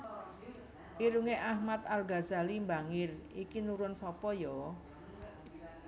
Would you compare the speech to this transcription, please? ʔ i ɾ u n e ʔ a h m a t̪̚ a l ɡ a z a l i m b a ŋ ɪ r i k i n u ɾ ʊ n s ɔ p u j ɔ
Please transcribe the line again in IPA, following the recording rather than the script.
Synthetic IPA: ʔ i ɾ u ŋ e ʔ a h m a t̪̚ a l ɡ a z a l i m b a ŋ ɪ r i k i n u ɾ ʊ n s ɔ p ɔ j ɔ